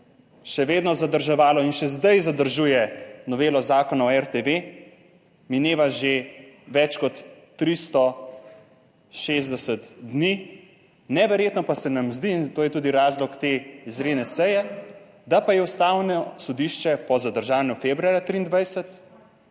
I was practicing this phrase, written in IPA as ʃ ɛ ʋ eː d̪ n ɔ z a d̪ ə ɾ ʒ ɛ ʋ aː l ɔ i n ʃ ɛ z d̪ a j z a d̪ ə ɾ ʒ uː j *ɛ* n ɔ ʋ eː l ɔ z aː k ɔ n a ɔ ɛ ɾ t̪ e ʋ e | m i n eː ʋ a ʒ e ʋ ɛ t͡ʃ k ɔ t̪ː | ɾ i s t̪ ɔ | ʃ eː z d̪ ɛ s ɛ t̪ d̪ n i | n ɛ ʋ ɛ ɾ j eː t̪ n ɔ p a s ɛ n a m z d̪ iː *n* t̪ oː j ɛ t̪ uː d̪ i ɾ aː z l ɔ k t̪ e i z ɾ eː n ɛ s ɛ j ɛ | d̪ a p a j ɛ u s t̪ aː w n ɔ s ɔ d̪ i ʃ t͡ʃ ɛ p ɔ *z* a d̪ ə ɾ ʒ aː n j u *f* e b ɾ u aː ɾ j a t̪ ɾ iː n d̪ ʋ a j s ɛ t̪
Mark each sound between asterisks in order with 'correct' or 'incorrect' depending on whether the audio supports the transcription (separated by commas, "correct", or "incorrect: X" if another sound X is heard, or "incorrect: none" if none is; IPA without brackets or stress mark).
correct, correct, correct, correct